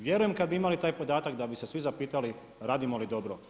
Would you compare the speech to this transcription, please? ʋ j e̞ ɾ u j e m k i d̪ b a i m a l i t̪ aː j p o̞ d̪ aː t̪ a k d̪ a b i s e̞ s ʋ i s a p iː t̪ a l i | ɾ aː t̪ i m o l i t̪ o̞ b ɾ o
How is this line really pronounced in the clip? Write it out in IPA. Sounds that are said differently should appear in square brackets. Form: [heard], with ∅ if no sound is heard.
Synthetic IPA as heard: ʋ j e̞ ɾ u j e m k [a] d̪ b [i] i m a l i t̪ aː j p o̞ d̪ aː t̪ a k d̪ a b i s e̞ s ʋ i [z] a p iː t̪ a l i | ɾ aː [d̪] i m o l i [d̪] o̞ b ɾ o